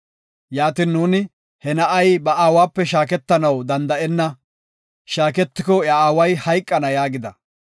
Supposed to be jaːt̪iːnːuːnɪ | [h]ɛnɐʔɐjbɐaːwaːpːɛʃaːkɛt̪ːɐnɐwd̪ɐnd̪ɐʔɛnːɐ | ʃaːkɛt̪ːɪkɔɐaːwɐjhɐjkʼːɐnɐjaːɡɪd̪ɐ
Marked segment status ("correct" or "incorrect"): correct